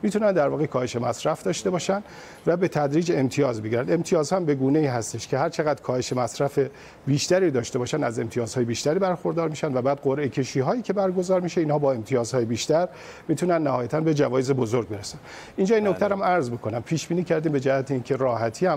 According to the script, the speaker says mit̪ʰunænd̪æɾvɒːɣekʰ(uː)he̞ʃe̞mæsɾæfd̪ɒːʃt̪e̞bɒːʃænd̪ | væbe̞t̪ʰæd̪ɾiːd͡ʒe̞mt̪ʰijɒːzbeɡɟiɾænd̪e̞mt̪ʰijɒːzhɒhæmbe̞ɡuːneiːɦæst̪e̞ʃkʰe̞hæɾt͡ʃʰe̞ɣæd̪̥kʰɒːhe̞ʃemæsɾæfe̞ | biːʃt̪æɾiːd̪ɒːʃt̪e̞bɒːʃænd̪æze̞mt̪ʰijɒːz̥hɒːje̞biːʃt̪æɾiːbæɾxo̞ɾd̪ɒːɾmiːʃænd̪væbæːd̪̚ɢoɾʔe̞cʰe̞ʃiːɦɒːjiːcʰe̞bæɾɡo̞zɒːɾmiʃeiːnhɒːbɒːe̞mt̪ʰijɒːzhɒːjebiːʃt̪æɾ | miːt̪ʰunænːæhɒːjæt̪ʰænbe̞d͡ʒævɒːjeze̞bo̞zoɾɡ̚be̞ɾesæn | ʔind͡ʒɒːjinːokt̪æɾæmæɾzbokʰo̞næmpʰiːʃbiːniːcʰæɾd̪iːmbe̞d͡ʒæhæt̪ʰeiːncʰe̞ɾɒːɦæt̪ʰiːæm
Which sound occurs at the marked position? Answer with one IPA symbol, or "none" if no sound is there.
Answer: ɒː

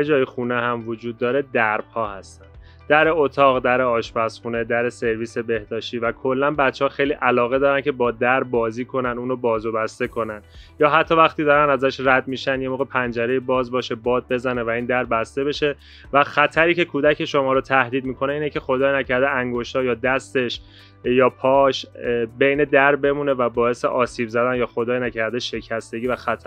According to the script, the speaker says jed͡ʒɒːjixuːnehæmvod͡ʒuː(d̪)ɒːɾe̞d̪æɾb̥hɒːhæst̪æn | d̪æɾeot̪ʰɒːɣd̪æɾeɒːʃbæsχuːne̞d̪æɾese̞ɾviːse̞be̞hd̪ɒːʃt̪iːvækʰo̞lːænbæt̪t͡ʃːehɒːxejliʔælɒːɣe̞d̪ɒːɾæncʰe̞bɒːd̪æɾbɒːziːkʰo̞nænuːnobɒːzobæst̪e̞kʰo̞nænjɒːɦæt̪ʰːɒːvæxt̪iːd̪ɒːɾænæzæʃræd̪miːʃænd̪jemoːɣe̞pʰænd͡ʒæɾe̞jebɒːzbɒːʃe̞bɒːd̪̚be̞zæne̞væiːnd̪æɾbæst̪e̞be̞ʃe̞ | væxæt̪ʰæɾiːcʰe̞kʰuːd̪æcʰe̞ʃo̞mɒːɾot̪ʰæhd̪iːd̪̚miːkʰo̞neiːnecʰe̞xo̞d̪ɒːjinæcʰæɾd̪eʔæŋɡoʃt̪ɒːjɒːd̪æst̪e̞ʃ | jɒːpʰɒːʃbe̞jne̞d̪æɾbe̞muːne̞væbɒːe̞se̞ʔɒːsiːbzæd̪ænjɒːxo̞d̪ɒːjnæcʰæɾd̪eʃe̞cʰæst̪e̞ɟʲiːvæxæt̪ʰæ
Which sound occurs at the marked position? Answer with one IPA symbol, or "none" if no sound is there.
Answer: d̪ː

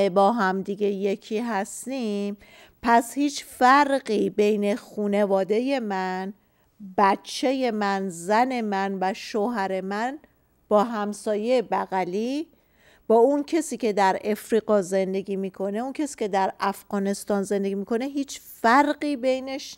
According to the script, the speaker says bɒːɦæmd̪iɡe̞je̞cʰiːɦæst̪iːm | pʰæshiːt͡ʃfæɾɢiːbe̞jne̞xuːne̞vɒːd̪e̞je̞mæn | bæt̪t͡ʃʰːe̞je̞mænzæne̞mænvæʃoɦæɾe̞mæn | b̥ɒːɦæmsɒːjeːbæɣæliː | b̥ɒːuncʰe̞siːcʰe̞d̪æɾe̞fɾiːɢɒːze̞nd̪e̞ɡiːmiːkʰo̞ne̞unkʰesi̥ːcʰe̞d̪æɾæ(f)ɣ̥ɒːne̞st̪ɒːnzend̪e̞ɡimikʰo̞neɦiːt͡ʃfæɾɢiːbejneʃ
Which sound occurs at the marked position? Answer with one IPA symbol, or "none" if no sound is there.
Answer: f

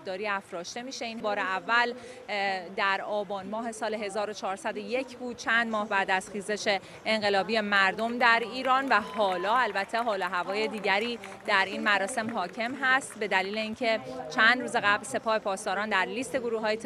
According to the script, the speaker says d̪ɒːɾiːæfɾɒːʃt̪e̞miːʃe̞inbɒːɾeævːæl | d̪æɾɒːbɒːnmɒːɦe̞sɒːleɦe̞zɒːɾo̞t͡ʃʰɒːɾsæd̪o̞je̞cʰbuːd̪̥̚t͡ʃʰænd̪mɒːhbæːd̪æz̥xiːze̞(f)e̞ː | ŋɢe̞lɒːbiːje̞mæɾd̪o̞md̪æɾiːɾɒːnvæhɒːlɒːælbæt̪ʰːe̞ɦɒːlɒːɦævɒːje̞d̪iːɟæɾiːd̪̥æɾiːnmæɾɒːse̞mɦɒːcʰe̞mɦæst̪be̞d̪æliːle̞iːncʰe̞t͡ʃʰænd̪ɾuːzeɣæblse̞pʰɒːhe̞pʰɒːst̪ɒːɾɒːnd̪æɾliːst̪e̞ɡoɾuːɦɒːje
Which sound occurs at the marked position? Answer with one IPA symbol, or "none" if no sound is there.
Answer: ʃ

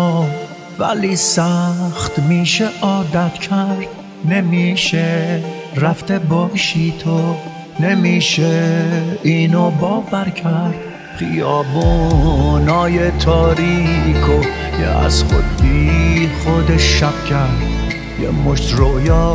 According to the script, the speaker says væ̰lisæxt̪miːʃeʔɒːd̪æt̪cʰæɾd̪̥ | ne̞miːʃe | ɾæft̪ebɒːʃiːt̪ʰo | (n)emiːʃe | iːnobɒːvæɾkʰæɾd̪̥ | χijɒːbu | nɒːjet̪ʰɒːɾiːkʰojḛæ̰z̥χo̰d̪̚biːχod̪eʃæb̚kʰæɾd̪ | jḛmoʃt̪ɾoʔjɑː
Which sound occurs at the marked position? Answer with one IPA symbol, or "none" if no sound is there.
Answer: n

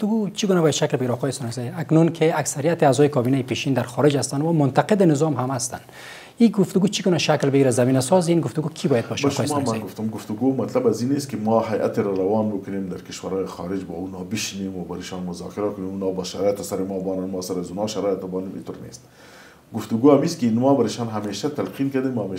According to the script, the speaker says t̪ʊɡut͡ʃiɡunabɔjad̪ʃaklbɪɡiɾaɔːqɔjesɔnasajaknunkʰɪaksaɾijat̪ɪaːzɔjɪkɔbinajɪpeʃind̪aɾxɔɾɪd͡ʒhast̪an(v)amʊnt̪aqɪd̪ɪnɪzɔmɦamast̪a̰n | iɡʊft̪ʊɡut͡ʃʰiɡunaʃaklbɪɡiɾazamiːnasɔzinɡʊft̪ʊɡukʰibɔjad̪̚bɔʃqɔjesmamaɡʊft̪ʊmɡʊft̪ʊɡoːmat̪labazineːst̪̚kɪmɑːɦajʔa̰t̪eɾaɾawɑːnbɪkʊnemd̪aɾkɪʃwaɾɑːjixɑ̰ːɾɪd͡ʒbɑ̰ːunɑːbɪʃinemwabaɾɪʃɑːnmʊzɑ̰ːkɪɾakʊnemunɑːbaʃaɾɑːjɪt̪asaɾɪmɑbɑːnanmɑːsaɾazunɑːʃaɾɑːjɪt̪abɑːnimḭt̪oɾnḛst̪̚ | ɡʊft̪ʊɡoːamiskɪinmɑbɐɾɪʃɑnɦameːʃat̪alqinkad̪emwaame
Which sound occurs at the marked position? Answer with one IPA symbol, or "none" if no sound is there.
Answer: w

